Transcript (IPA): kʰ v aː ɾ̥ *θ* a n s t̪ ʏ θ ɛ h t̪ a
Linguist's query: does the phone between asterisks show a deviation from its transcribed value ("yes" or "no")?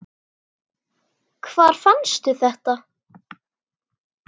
yes